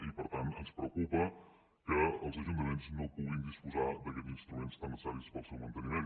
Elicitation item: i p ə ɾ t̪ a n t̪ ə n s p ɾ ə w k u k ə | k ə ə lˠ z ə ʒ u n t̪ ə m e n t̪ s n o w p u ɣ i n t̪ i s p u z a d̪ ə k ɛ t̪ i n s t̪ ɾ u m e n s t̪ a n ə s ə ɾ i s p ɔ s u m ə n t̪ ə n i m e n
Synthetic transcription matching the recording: i p ə ɾ t̪ a n t̪ ə n s p ɾ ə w k u p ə | k ə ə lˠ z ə ʒ u n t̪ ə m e n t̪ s n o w p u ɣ i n d̪ i s p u z a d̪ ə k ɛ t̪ i n s t̪ ɾ u m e n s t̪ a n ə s a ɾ i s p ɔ s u m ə n t̪ ə n i m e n